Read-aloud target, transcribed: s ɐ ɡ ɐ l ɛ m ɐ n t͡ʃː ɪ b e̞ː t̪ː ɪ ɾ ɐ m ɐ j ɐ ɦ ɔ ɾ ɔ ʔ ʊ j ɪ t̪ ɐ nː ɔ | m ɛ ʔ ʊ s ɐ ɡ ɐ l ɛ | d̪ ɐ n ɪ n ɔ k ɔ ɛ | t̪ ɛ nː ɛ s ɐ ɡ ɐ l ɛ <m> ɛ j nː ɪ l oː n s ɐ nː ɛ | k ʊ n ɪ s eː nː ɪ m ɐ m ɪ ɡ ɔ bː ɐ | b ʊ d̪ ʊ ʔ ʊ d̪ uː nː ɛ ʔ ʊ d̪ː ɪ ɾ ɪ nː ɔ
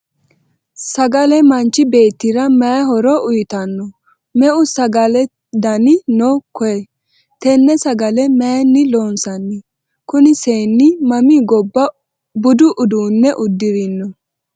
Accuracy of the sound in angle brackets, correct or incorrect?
correct